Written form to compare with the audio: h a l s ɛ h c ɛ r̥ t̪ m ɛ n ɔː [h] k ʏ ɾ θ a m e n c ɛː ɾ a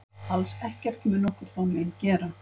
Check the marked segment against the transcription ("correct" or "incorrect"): correct